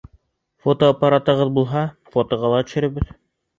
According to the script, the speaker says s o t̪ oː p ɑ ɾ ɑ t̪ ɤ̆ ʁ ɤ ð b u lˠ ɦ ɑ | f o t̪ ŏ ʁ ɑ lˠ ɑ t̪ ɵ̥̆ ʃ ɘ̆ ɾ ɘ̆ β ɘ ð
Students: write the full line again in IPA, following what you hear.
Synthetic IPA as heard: f o t̪ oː p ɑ ɾ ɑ t̪ ɤ̆ ʁ ɤ ð b u lˠ ɦ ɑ | f o t̪ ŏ ʁ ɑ lˠ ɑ t̪ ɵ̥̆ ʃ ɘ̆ ɾ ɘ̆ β ɘ ð